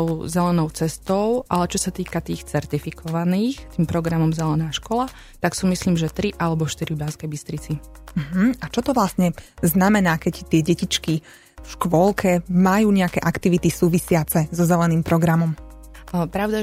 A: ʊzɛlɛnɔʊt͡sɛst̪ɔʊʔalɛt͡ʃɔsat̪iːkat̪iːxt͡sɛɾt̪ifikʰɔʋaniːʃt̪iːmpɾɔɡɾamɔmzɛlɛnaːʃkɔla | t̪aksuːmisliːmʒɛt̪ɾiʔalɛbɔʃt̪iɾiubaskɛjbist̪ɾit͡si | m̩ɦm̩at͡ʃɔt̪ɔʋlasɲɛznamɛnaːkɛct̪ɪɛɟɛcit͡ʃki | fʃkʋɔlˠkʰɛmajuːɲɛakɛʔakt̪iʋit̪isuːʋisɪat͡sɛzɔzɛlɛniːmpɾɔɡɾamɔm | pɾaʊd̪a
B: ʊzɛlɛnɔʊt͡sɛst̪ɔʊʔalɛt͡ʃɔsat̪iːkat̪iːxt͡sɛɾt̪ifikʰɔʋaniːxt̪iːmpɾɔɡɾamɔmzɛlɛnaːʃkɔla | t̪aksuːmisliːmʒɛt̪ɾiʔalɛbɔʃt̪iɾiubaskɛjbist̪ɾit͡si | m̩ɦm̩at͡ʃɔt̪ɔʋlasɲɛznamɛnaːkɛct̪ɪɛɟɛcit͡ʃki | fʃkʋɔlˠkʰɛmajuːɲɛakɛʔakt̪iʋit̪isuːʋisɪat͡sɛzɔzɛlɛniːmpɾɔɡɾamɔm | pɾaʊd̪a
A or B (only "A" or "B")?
B